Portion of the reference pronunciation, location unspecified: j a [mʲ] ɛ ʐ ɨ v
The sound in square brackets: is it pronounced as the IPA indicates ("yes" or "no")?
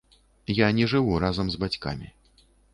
no